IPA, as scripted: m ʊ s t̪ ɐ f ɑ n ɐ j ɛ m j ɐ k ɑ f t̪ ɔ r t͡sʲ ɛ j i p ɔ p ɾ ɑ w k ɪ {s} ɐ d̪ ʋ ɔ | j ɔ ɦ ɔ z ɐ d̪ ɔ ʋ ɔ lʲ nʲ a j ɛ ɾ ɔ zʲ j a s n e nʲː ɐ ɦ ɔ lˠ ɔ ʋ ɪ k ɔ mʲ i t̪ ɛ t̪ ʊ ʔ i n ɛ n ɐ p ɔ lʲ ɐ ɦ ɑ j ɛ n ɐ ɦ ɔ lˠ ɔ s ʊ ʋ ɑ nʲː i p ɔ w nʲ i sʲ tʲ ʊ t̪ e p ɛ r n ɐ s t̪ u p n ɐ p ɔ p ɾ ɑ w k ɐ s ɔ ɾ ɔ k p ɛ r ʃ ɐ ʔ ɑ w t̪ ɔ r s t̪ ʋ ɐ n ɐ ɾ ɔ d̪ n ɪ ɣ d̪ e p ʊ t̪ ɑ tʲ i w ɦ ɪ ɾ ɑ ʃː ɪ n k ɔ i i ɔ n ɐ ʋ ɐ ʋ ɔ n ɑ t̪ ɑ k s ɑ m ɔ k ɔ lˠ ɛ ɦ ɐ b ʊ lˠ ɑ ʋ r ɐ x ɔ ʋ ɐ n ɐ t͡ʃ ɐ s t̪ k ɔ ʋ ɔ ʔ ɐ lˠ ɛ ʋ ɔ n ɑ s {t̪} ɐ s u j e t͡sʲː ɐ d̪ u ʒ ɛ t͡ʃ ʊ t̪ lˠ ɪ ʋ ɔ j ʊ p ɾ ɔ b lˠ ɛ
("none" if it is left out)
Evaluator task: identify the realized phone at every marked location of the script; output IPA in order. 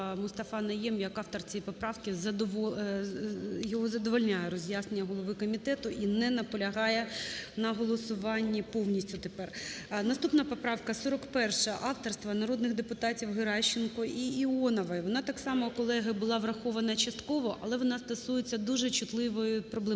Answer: z, t̪

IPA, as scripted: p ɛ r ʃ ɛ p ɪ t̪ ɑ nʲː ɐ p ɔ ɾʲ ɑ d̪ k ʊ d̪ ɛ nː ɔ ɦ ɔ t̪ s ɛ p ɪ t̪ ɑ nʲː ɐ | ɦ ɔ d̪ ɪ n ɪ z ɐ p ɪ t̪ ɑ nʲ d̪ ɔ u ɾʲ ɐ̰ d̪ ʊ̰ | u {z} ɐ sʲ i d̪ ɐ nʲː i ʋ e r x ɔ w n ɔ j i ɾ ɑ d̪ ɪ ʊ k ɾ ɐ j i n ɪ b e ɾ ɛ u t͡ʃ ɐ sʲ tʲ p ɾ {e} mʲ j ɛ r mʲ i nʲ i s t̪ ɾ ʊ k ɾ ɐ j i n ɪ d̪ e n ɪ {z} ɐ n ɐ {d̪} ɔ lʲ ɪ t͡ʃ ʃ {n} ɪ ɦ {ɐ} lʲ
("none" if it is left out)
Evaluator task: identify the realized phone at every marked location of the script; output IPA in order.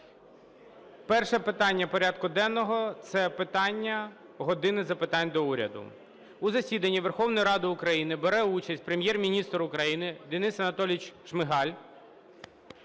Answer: z, e, s, t̪, m, ɑ

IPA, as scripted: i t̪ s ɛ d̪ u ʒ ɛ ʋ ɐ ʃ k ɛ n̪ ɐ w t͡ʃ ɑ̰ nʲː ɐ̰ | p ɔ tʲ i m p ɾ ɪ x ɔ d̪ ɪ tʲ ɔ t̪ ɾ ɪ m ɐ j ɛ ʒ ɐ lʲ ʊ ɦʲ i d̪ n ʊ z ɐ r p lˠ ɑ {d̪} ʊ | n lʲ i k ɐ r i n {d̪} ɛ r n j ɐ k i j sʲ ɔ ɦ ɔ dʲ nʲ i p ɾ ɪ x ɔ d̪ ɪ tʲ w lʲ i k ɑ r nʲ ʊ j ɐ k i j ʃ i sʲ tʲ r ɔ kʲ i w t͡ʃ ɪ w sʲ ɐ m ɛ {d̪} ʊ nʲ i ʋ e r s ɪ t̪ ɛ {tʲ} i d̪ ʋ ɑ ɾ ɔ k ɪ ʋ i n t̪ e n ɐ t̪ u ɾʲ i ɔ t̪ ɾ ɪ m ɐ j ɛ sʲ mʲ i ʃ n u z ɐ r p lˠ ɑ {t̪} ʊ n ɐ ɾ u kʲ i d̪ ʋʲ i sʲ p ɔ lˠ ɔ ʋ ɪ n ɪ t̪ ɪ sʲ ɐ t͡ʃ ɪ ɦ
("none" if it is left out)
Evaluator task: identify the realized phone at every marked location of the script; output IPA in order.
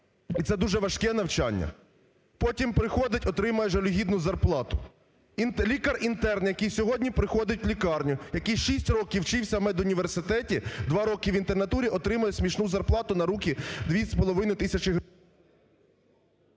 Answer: t̪, t̪, d̪, tʲ, t̪

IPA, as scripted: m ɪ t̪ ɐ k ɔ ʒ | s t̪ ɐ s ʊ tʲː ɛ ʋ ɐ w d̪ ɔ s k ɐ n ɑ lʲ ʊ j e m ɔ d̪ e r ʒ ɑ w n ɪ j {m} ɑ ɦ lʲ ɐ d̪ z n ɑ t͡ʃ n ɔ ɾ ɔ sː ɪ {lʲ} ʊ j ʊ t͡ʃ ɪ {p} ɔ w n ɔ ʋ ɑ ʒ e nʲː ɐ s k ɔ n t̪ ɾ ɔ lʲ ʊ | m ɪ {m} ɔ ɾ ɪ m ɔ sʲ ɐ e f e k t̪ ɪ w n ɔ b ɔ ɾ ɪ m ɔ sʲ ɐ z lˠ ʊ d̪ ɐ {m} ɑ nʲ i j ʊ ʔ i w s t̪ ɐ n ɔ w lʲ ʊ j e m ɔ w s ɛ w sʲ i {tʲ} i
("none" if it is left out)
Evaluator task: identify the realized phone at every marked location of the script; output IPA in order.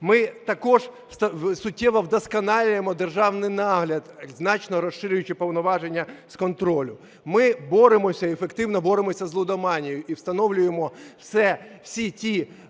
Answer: n, ɾʲ, p, b, m, tʲ

